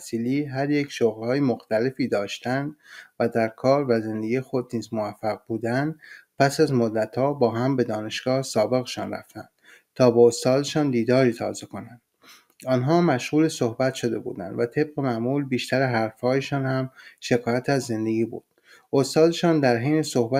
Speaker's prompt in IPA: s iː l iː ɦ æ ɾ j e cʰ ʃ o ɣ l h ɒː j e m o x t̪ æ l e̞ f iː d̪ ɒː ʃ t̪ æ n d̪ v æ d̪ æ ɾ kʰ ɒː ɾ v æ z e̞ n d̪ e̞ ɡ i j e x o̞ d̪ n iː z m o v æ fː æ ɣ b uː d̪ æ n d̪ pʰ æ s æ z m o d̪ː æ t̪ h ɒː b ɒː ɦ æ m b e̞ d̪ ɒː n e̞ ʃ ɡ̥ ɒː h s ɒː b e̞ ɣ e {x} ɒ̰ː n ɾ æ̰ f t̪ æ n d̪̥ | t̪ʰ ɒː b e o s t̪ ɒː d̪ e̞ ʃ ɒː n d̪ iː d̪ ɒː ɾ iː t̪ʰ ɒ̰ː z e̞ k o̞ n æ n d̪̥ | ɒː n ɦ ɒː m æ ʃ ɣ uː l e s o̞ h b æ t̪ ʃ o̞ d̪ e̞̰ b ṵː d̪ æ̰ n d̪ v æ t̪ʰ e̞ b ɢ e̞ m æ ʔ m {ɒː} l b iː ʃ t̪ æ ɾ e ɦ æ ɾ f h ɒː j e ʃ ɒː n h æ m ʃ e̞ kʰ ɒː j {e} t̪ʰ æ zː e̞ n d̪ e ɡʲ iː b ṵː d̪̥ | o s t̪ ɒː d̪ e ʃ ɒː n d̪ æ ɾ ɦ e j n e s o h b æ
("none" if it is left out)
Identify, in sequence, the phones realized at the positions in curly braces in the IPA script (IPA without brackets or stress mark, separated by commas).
ʃ, uː, æ